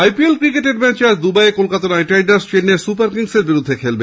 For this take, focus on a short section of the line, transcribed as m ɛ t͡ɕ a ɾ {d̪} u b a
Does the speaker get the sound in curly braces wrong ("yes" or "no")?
no